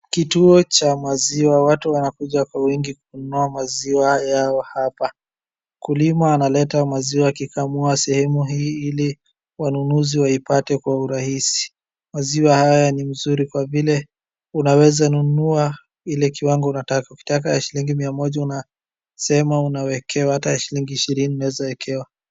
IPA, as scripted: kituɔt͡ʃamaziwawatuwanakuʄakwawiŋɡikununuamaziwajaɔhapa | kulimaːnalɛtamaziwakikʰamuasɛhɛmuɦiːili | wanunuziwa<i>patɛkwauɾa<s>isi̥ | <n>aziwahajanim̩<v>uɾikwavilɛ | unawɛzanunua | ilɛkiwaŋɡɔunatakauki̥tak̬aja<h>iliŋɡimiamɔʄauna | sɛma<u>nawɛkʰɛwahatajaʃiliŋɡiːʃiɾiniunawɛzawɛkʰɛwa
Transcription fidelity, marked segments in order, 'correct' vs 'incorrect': correct, incorrect: h, incorrect: m, incorrect: z, incorrect: ʃ, correct

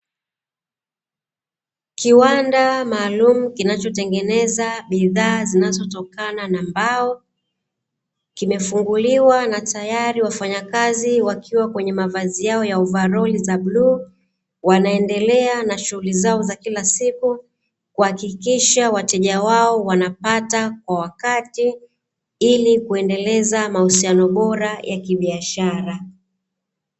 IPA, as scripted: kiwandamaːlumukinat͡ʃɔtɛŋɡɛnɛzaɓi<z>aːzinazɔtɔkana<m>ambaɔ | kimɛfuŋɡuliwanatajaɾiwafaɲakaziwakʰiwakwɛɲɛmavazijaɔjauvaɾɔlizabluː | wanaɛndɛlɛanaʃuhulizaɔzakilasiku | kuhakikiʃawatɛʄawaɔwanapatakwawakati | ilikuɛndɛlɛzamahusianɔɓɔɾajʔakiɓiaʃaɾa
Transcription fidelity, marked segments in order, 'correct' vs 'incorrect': incorrect: ð, incorrect: n

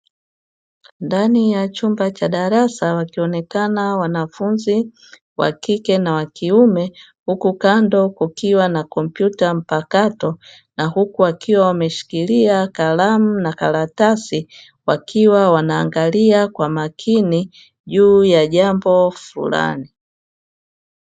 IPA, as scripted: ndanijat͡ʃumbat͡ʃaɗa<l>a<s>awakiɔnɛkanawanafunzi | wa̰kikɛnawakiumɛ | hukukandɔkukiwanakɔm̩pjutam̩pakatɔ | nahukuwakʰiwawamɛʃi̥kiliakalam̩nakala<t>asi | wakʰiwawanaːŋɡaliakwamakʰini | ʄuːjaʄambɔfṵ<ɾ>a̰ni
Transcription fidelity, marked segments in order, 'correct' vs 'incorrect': incorrect: ɾ, correct, correct, incorrect: l

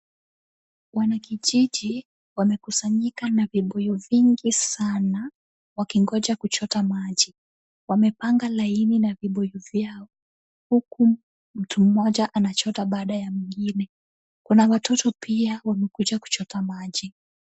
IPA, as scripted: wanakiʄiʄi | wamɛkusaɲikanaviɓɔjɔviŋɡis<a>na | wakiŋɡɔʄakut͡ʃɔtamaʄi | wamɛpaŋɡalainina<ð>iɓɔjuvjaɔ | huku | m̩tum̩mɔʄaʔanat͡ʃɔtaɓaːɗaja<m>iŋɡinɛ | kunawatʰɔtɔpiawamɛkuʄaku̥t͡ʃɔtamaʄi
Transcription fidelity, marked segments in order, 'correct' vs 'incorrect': correct, incorrect: v, correct

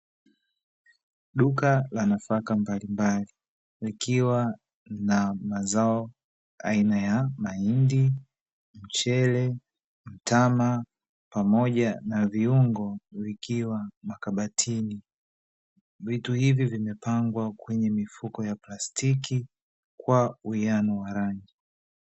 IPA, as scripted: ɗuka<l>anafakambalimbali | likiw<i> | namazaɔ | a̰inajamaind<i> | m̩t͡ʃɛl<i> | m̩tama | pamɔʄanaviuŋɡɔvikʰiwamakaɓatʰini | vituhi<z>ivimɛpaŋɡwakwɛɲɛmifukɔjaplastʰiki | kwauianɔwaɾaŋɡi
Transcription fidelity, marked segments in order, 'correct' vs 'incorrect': correct, incorrect: a, correct, incorrect: ɛ, incorrect: v

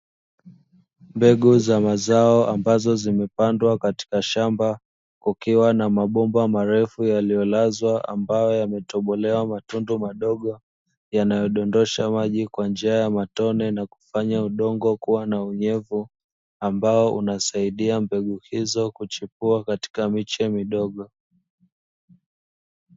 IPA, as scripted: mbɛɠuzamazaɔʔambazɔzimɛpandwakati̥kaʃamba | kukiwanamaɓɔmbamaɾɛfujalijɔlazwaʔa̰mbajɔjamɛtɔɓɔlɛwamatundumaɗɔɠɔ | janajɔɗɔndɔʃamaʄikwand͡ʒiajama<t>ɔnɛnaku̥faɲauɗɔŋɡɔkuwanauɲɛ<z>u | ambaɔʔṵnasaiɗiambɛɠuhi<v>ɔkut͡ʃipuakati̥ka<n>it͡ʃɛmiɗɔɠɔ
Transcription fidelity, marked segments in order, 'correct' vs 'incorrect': correct, incorrect: v, incorrect: z, incorrect: m

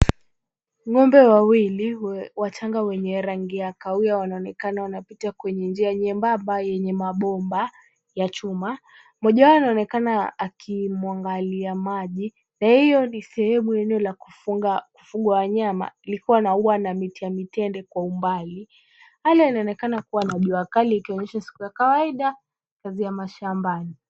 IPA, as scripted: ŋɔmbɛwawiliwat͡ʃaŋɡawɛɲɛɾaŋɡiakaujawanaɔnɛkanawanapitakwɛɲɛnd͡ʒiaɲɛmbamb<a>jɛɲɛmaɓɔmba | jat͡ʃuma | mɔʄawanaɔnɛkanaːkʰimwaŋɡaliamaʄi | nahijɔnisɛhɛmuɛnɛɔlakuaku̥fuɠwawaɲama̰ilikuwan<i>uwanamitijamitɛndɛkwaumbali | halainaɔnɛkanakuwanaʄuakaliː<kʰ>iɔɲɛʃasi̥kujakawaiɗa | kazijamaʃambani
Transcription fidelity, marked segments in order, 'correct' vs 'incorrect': correct, incorrect: a, incorrect: k

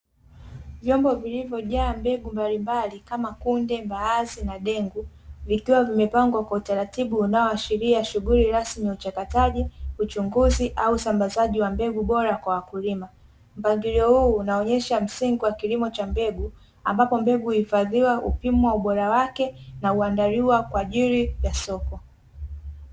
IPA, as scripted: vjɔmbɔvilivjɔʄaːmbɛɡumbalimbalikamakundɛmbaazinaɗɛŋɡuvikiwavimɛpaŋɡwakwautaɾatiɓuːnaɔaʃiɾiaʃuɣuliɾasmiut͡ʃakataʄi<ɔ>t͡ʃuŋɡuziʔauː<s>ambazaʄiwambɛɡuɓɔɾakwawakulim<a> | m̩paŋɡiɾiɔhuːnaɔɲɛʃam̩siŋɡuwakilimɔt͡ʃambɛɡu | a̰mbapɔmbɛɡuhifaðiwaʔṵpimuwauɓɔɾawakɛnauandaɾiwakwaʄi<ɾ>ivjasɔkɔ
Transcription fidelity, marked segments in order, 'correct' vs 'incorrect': incorrect: u, correct, correct, correct

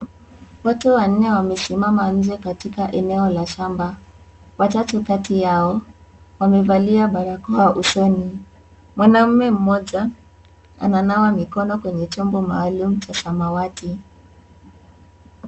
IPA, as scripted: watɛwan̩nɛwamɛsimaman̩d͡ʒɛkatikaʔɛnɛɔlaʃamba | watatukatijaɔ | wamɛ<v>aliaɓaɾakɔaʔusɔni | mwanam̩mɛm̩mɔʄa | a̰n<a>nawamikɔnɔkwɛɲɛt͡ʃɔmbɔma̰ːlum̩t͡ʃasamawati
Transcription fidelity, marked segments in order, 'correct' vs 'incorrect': correct, correct

